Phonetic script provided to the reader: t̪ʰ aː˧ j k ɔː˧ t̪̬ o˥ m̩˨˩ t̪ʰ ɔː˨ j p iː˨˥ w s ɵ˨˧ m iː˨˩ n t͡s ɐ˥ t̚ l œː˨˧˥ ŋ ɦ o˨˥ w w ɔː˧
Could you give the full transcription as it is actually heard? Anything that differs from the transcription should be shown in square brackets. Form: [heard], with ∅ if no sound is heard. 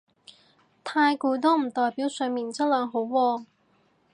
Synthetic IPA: t̪ʰ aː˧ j k [uː˧] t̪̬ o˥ m̩˨˩ [t̪] ɔː˨ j p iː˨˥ w s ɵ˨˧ m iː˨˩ n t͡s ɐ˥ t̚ l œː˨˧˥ ŋ ɦ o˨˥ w w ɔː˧